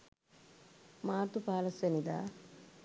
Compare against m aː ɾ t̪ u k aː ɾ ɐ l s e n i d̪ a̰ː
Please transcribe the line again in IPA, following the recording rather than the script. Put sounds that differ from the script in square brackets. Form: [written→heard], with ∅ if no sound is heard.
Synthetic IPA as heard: m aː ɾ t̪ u [k→p] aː [ɾ→l] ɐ [l→∅] s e n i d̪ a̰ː